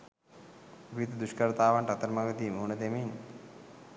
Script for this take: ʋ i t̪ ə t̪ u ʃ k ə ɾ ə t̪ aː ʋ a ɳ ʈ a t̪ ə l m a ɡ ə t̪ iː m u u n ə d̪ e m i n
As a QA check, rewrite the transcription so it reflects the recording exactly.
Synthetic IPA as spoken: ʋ i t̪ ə d̪ u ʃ k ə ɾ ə t̪ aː ʋ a ɳ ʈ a t̪ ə ɾ m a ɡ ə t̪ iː m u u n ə d̪ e m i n

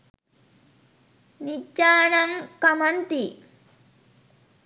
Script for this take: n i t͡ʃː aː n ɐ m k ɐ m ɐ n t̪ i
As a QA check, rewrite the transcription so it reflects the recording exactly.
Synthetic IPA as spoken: n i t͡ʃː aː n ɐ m k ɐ m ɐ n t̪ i

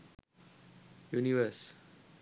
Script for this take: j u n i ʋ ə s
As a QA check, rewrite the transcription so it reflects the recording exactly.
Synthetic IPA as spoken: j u n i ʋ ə s

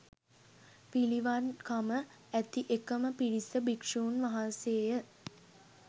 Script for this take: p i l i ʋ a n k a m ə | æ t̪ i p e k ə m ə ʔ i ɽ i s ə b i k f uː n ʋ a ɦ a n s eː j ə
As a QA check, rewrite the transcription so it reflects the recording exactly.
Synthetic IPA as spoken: p i l i ʋ a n k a m ə | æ t̪ i ʔ e k ə m ə p i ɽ i s ə b i k ʂ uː n ʋ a ɦ a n s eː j ə

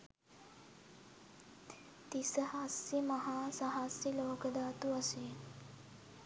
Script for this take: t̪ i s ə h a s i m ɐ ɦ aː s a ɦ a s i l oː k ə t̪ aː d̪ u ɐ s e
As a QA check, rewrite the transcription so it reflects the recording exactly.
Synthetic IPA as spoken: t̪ i s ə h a s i m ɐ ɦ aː s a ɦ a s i l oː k ə d̪ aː t̪ u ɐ s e

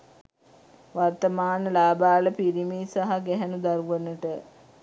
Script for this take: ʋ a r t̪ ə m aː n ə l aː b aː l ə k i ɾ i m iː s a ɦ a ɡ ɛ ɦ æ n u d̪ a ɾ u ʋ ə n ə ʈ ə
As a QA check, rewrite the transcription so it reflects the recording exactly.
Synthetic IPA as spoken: ʋ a r t̪ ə m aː n ə l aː b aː l ə p i ɾ i m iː s a ɦ a ɡ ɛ ɦ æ n u d̪ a ɾ u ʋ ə n ə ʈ ə

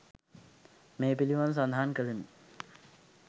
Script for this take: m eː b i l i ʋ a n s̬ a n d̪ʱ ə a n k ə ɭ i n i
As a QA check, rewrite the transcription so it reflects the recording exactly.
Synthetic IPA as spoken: m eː p i l i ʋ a n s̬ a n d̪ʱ a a n k ə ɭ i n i

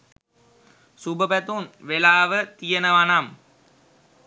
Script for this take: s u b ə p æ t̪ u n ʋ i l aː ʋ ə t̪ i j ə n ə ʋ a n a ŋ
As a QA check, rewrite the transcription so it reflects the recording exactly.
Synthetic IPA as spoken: s u b ə p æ t̪ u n ʋ e l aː ʋ ə t̪ i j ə n ə ʋ a n a m

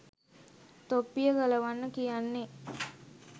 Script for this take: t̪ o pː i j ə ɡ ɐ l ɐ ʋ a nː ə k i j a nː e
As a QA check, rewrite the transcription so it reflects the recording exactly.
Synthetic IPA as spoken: t̪ o pː i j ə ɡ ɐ l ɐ ʋ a nː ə k i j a nː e

